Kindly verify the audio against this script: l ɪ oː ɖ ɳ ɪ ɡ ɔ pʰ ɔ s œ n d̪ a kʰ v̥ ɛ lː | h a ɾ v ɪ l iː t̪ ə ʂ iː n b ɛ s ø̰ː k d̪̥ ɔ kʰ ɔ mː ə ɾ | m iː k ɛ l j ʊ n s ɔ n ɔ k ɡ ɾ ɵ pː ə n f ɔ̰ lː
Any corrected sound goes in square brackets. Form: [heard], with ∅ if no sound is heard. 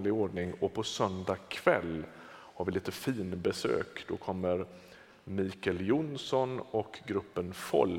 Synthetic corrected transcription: l ɪ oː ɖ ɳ ɪ [ŋ] ɔ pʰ ɔ s œ n d̪ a kʰ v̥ ɛ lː | h a ɾ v ɪ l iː t̪ ə [f] iː n b ɛ s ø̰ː k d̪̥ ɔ kʰ ɔ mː ə ɾ | m iː k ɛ l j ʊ n s ɔ n ɔ k ɡ ɾ ɵ pː ə n f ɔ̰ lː